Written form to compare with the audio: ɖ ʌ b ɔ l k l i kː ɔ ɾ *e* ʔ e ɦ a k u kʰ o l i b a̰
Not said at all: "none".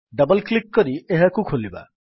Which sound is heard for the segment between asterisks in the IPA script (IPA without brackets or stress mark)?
i